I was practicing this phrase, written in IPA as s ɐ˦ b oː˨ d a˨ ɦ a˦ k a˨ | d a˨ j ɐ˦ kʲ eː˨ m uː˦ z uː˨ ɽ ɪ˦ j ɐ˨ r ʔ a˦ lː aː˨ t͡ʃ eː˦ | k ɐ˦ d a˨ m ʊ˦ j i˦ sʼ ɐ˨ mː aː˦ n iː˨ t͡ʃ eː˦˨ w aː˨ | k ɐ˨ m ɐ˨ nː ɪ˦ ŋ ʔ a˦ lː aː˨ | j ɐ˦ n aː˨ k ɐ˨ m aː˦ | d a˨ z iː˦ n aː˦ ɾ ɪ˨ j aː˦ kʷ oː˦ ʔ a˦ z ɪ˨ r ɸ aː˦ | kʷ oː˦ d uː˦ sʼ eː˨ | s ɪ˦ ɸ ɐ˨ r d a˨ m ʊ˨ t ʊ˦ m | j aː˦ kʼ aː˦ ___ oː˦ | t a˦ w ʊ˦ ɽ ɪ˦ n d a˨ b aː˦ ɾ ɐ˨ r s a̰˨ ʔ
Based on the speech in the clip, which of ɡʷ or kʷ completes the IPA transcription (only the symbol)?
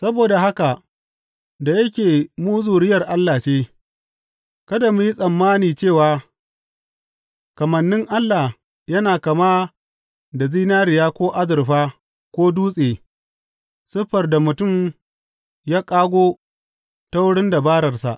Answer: ɡʷ